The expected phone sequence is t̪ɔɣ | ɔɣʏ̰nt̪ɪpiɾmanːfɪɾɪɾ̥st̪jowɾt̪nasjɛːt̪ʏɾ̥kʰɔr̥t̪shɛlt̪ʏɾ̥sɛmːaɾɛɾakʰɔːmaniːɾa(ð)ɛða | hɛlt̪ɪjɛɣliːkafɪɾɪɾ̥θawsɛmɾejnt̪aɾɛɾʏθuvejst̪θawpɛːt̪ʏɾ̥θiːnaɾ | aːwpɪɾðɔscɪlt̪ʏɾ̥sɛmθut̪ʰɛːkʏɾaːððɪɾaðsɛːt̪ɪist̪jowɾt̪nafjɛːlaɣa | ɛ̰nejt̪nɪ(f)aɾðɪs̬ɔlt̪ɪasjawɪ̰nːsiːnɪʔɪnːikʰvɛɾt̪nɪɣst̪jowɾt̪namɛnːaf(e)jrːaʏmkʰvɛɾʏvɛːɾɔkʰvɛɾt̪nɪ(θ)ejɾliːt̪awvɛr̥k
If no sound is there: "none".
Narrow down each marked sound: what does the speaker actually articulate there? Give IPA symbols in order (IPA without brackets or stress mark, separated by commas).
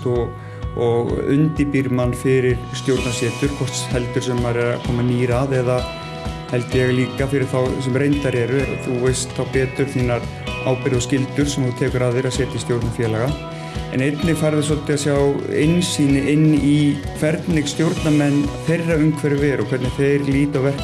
ð, f, e, θ